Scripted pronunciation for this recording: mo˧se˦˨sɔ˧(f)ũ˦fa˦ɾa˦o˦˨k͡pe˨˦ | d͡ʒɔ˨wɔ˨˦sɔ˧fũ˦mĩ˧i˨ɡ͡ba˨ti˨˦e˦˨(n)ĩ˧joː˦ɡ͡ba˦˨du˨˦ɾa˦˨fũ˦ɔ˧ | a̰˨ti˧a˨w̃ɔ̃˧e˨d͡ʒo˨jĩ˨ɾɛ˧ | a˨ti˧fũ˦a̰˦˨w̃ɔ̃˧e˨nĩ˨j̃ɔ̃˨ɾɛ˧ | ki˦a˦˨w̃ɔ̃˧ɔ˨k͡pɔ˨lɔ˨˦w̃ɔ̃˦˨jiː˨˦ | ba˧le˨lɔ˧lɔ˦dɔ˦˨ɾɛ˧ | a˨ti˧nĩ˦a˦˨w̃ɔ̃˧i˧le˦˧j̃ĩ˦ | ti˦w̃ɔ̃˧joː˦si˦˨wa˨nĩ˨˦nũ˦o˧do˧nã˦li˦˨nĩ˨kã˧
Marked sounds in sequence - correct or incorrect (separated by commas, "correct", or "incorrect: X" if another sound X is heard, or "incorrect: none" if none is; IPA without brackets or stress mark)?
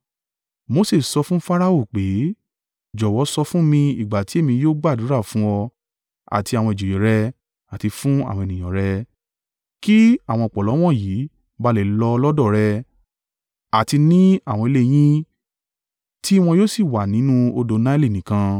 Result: correct, incorrect: m